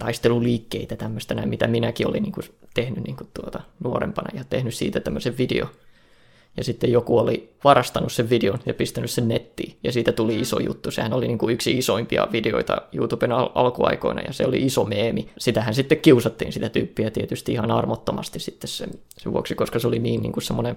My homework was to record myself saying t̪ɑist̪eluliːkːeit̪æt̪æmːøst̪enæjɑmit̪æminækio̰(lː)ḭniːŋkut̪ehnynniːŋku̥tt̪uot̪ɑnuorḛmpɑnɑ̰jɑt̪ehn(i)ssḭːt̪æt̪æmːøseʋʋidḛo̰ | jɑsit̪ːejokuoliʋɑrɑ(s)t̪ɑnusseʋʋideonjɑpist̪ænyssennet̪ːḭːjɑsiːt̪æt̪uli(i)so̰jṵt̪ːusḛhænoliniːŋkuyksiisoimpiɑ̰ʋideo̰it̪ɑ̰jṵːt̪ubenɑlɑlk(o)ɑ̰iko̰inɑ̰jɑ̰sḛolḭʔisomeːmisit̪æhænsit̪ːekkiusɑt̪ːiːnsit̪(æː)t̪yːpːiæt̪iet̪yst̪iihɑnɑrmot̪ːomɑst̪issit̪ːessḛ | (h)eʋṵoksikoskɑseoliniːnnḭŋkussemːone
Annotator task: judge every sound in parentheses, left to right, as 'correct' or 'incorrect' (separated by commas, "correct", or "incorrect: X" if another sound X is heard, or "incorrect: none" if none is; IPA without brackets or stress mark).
incorrect: l, incorrect: y, correct, correct, incorrect: u, incorrect: æ, incorrect: s